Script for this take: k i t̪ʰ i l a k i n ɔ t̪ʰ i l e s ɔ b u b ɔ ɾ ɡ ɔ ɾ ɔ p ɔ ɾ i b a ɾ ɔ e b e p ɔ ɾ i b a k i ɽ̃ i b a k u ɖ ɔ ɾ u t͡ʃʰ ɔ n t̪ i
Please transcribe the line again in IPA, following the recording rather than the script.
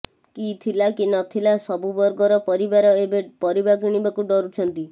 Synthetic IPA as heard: k i t̪ʰ i l a k i n ɔ t̪ʰ i l a s ɔ b u b ɔ ɾ ɡ ɔ ɾ ɔ p ɔ ɾ i b a ɾ ɔ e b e p ɔ ɾ i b a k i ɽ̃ i b a k u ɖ ɔ ɾ u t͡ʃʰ ɔ n t̪ i